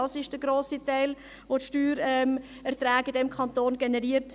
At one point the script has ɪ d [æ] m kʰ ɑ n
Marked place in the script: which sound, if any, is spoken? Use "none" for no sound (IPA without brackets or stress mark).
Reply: ɛ